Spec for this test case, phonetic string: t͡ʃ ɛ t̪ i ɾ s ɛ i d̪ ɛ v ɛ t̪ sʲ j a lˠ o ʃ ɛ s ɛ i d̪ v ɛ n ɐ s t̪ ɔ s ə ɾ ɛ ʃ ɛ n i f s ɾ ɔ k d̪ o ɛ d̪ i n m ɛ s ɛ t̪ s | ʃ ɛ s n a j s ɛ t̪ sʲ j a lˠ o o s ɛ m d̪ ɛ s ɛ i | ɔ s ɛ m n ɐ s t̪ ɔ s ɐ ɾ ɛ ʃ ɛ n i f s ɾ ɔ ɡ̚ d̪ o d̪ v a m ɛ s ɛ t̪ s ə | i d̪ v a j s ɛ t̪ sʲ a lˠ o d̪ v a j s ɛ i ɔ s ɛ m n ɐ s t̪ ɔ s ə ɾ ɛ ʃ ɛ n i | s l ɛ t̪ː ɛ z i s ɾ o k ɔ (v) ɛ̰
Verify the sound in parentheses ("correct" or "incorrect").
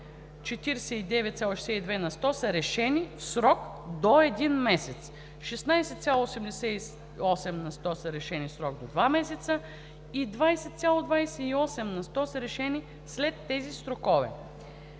correct